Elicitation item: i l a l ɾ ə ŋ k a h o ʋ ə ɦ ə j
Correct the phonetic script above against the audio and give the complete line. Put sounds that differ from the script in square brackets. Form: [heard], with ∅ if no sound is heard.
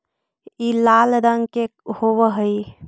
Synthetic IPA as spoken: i l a l ɾ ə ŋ k [e] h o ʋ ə ɦ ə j